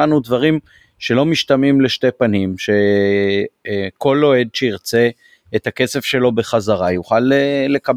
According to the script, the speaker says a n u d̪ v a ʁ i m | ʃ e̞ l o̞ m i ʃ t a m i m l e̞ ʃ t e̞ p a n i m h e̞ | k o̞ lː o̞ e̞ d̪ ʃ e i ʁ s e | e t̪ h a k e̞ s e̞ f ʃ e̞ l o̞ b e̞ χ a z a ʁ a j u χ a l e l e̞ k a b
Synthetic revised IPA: a n u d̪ v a ʁ i m | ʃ e̞ l o̞ m i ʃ t a m i m l e̞ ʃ t e̞ p a n i m ʃ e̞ | k o̞ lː o̞ e̞ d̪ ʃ e i ʁ t͡s e | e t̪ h a k e̞ s e̞ f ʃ e̞ l o̞ b e̞ χ a z a ʁ a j u χ a l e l e̞ k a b